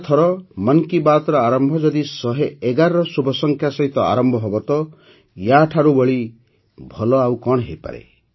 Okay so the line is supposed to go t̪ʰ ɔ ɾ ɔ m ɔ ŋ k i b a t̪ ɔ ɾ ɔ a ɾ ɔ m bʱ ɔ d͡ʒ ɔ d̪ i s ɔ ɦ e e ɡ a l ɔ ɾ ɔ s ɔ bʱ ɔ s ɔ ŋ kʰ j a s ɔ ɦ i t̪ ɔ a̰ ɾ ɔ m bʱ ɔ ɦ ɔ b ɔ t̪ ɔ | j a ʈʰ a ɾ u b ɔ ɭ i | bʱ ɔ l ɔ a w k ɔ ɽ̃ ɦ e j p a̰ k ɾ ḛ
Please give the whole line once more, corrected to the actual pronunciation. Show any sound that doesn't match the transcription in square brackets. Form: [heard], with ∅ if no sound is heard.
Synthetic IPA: t̪ʰ ɔ ɾ ɔ m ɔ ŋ k i b a t̪ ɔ ɾ ɔ a ɾ ɔ m bʱ ɔ d͡ʒ ɔ d̪ i s ɔ ɦ e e ɡ a [ɾ] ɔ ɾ ɔ s [u] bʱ ɔ s ɔ ŋ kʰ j a s ɔ ɦ i t̪ ɔ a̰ ɾ ɔ m bʱ ɔ ɦ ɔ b ɔ t̪ ɔ | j a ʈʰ a ɾ u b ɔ ɭ i | bʱ ɔ l ɔ a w k ɔ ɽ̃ ɦ e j p a̰ [∅] ɾ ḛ